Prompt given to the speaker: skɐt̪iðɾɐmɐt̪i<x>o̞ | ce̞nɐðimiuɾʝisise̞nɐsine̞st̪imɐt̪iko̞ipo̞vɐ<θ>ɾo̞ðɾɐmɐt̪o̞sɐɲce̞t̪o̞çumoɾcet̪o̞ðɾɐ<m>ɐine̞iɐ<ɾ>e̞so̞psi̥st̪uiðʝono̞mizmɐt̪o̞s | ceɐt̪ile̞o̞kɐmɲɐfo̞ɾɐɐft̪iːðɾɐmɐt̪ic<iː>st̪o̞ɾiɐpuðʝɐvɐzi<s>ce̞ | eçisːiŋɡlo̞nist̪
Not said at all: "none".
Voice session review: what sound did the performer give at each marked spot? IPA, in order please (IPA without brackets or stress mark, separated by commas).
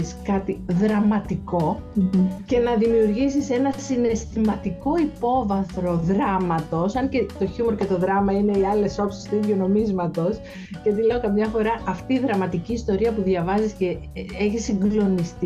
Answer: k, θ, m, l, iː, s